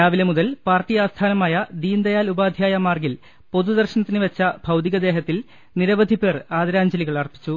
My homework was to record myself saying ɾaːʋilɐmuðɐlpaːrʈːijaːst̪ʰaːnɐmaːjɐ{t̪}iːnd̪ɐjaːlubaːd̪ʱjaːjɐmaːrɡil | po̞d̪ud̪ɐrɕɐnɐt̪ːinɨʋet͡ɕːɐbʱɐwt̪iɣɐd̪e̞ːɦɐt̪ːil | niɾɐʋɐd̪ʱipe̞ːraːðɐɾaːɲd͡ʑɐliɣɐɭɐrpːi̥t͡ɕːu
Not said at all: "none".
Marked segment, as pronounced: d̪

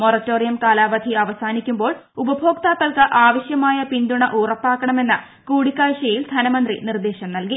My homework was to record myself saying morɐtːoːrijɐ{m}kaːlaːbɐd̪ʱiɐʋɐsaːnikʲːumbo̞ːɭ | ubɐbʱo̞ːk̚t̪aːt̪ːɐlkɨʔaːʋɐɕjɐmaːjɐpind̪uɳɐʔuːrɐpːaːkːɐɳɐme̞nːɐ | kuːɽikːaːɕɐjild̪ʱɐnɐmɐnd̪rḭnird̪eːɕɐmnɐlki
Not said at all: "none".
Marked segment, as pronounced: m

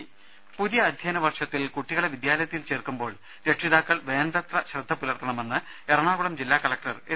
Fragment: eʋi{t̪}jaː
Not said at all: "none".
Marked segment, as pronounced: d̪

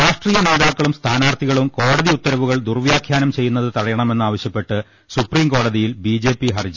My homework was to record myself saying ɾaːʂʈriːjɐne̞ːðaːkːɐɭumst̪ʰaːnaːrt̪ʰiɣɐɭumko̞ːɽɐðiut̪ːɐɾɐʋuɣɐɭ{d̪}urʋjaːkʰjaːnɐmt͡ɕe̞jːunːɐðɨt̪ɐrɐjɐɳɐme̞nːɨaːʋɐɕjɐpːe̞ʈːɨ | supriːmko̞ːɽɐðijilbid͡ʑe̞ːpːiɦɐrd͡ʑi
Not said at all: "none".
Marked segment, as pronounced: d̪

